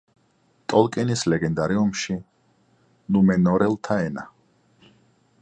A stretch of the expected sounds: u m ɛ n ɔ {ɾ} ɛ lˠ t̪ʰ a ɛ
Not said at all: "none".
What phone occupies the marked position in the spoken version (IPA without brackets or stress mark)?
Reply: ɾ